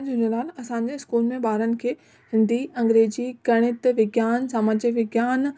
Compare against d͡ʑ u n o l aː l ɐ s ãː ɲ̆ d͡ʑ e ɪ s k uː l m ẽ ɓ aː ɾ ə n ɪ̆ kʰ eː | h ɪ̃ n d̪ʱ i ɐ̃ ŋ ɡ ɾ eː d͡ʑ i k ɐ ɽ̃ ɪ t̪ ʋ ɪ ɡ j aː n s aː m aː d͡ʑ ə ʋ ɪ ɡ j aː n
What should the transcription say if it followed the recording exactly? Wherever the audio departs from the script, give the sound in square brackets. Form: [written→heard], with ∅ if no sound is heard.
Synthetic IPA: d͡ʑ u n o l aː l ɐ s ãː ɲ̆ d͡ʑ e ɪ s k uː l m ẽ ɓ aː ɾ ə n ɪ̆ kʰ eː | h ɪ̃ n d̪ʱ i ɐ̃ ŋ ɡ ɾ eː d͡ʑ i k ɐ ɽ̃ ɪ t̪ ʋ ɪ ɡ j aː n s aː m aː d͡ʑ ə ʋ ɪ ɡ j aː n